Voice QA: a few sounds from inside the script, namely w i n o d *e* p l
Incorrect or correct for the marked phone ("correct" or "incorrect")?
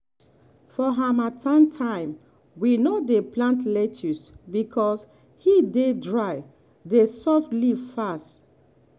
correct